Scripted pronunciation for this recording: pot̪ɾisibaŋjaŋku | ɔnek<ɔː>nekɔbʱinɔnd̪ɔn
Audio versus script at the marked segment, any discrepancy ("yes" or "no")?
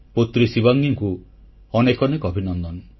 yes